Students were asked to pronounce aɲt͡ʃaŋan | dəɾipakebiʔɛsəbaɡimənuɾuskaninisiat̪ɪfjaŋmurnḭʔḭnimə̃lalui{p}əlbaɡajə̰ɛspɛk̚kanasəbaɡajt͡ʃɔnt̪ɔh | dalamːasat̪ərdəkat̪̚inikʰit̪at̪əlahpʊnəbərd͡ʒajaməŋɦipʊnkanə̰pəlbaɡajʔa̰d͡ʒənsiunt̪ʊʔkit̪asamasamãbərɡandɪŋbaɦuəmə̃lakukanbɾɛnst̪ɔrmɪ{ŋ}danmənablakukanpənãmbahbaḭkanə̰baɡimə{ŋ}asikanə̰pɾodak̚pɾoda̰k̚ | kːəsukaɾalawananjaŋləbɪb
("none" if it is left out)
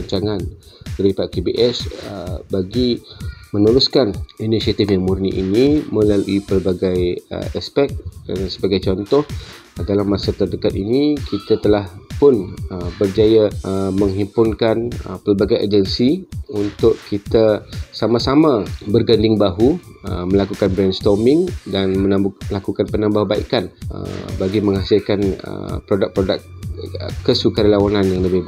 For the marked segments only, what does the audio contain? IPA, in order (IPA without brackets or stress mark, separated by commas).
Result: p, ŋ, ŋ